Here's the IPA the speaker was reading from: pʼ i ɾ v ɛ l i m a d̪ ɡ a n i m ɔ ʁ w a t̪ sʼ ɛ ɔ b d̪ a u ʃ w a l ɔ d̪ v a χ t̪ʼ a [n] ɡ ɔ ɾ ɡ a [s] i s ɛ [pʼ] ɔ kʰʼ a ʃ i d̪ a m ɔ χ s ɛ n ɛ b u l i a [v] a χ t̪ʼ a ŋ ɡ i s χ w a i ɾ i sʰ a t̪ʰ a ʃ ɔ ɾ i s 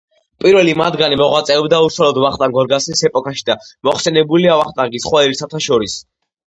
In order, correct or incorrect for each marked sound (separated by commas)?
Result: incorrect, correct, correct, correct